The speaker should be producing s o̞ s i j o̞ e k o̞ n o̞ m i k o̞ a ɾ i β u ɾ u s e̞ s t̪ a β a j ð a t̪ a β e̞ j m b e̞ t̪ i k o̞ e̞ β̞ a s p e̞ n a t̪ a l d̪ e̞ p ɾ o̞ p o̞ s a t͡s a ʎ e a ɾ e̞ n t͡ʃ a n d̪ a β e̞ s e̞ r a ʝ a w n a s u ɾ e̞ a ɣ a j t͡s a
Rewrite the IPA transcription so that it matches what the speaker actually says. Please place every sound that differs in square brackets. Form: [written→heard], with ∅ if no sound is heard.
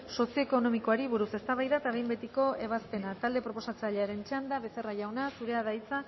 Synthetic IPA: s o̞ s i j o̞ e k o̞ n o̞ m i k o̞ a ɾ i β u ɾ u s e̞ s t̪ a β a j ð a t̪ a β e̞ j m b e̞ t̪ i k o̞ e̞ β̞ a s p e̞ n a t̪ a l d̪ e̞ p ɾ o̞ p o̞ s a t͡s a ʎ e a ɾ e̞ n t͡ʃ a n d̪ a β e̞ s e̞ r a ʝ a w n a s u ɾ e̞ a [ɣ→ð] a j t͡s a